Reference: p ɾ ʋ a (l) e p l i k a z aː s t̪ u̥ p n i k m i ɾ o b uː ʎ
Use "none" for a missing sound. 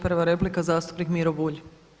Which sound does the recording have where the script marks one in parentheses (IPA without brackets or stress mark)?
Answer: ɾ